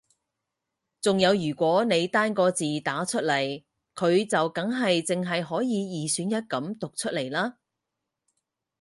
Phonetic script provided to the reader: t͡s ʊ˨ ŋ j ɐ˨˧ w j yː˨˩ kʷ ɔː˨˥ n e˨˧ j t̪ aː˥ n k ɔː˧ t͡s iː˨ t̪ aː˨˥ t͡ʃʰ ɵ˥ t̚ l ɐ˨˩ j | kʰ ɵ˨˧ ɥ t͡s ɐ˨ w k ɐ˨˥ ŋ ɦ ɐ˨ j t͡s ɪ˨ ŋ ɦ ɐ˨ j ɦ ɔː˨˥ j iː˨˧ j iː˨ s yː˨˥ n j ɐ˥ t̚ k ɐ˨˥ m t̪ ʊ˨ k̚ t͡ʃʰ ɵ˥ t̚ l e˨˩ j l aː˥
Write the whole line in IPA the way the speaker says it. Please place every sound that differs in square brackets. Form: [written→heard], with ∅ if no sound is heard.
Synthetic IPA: t͡s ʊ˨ ŋ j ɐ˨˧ w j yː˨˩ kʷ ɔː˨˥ n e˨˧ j t̪ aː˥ n k ɔː˧ t͡s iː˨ t̪ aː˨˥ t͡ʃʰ ɵ˥ t̚ l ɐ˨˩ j | kʰ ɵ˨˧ ɥ t͡s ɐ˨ w k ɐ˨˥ ŋ ɦ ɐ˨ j t͡s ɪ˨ ŋ ɦ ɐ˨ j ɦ ɔː˨˥ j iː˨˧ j iː˨ s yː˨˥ n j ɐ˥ t̚ k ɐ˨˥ m t̪ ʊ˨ k̚ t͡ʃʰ ɵ˥ t̚ l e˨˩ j l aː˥

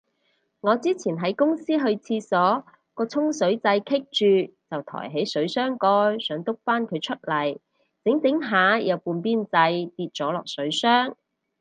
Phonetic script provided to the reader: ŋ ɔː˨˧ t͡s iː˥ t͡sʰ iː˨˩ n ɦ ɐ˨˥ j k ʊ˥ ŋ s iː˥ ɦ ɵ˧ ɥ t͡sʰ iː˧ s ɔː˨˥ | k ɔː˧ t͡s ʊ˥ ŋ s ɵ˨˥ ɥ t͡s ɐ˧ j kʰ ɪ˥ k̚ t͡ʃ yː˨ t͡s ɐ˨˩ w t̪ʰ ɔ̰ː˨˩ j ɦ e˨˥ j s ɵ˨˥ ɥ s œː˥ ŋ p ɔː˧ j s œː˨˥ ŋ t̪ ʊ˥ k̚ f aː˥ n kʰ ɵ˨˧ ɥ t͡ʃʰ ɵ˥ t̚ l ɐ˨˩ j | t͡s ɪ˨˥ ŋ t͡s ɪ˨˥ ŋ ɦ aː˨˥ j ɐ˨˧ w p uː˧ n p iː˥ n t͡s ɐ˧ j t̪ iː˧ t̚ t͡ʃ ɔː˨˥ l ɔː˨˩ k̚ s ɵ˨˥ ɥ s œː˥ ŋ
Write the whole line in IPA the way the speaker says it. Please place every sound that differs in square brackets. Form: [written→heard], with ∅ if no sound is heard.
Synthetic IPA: ŋ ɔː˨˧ t͡s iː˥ t͡sʰ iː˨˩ n ɦ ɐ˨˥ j k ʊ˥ ŋ s iː˥ ɦ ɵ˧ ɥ t͡sʰ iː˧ s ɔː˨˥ | k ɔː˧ [t͡s→t͡sʰ] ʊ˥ ŋ s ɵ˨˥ ɥ t͡s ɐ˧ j kʰ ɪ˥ k̚ t͡ʃ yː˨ t͡s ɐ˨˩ w t̪ʰ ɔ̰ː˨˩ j ɦ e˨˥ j s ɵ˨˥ ɥ s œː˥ ŋ [p→k] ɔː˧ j s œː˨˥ ŋ t̪ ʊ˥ k̚ f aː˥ n kʰ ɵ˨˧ ɥ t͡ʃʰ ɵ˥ t̚ l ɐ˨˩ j | t͡s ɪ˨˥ ŋ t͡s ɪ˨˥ ŋ ɦ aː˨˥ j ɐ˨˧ w p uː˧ n p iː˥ n t͡s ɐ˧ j t̪ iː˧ t̚ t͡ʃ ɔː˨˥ l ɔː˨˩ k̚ s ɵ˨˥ ɥ s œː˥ ŋ

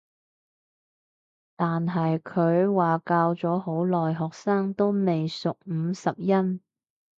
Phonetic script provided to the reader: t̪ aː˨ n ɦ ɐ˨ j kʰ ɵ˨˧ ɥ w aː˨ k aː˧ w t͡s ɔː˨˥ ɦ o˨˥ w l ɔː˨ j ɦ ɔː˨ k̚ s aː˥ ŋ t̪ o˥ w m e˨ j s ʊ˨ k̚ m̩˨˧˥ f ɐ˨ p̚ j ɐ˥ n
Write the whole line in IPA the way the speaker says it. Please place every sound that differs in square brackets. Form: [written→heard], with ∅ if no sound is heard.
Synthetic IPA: t̪ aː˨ n ɦ ɐ˨ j kʰ ɵ˨˧ ɥ w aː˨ k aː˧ w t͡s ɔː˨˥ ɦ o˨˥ w l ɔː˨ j ɦ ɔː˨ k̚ s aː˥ ŋ t̪ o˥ w m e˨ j s ʊ˨ k̚ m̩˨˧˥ [f→s] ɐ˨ p̚ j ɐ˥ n

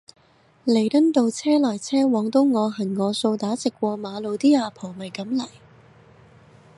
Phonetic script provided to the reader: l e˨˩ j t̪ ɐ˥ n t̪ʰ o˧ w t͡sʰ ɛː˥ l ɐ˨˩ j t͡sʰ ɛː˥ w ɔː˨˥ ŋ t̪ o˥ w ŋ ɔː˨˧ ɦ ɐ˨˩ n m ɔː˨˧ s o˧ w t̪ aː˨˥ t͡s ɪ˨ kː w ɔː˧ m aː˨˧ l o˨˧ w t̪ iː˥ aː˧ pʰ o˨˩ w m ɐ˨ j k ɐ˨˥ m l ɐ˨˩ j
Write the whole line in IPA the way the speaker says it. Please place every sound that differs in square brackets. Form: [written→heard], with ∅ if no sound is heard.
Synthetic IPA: l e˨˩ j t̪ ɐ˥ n [t̪ʰ→t̪] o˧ w t͡sʰ ɛː˥ l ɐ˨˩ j t͡sʰ ɛː˥ w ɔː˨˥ ŋ t̪ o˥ w ŋ ɔː˨˧ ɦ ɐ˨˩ n [m→ŋ] ɔː˨˧ s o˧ w t̪ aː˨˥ t͡s ɪ˨ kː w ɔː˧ m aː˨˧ l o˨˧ w t̪ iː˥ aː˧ pʰ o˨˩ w m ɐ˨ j k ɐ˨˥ m l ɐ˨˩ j

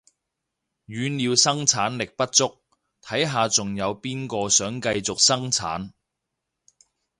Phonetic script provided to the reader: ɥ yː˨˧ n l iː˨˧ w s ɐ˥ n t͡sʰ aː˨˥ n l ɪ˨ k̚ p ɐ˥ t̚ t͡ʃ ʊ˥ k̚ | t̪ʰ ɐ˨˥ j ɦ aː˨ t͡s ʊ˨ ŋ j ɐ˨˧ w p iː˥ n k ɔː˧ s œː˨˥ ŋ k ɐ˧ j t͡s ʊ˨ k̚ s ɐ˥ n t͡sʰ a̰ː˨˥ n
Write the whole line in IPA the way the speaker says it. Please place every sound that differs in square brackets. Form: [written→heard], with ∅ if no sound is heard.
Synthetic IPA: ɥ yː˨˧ n l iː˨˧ w s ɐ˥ [n→ŋ] t͡sʰ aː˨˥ n l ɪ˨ k̚ p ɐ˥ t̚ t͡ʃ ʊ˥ k̚ | t̪ʰ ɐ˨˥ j ɦ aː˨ t͡s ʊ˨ ŋ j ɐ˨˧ w p iː˥ n k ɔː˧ s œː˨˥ ŋ k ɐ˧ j t͡s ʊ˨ k̚ s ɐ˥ [n→ŋ] t͡sʰ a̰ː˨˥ n

